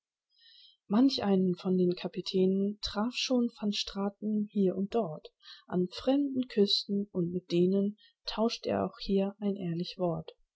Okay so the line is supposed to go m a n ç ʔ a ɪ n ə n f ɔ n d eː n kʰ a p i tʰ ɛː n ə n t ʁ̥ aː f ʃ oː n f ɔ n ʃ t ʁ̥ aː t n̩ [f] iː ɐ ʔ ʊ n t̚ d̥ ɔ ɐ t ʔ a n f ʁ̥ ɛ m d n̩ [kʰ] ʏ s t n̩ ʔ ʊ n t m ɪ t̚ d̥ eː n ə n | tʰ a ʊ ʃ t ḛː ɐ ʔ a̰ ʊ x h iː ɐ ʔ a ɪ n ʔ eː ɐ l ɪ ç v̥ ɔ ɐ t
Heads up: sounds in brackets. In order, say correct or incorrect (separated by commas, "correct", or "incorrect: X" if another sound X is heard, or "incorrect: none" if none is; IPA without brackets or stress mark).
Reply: incorrect: h, correct